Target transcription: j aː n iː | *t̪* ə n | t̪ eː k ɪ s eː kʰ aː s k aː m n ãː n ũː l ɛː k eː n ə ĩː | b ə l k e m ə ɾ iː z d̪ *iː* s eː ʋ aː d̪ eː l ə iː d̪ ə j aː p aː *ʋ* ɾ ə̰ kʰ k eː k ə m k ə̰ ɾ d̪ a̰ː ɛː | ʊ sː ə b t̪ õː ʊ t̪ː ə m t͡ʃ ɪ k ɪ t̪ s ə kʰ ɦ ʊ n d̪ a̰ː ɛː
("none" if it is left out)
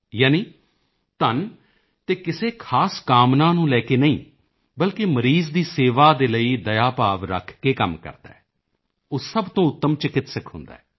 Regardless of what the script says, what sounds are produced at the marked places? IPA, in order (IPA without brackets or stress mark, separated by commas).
t̪, iː, ʋ